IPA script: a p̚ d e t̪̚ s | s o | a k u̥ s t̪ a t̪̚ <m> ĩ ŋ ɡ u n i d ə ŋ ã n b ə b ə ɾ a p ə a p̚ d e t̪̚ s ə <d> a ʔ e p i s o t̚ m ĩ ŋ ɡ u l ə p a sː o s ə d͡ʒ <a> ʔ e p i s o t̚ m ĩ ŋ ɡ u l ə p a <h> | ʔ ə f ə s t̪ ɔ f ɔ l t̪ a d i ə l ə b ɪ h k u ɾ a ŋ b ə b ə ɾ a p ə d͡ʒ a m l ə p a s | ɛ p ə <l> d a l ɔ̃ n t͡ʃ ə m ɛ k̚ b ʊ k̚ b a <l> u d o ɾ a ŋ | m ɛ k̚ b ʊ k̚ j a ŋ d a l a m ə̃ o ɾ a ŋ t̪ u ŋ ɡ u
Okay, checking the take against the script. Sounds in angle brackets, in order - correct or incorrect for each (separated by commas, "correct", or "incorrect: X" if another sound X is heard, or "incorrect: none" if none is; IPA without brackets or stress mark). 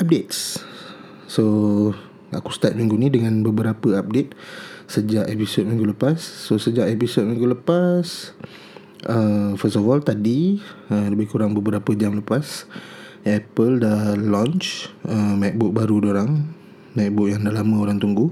correct, incorrect: d͡ʒ, correct, incorrect: s, correct, incorrect: ɾ